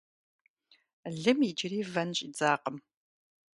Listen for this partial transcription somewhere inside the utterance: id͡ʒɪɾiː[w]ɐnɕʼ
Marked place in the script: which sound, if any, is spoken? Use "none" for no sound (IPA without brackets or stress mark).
v